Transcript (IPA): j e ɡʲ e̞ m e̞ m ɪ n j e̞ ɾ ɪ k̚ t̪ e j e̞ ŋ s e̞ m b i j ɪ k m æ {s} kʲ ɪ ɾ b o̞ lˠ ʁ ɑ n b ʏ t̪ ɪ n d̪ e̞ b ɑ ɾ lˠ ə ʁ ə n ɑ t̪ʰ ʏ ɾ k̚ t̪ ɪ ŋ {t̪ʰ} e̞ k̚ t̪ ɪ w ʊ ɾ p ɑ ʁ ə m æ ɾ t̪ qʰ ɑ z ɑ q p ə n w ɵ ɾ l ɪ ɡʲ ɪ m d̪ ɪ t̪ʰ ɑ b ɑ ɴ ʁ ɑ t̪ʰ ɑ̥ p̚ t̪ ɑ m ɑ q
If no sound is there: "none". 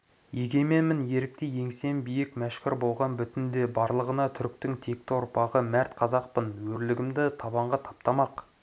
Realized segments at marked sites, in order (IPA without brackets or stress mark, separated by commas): ʃ, t̪ʰ